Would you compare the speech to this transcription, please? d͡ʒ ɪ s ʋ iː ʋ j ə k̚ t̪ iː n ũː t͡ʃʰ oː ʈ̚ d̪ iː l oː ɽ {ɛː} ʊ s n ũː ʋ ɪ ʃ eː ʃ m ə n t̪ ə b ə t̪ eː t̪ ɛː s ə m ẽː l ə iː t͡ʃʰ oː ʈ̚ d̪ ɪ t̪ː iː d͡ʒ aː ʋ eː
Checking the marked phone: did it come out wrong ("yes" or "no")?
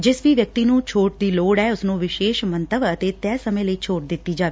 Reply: no